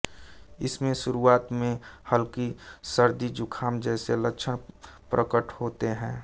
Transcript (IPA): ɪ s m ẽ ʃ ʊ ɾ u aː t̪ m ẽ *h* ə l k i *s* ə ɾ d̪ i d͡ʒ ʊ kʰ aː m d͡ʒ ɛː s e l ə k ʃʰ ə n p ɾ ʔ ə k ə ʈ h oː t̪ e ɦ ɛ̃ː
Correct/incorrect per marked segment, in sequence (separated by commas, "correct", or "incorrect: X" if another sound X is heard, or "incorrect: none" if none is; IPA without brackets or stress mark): correct, correct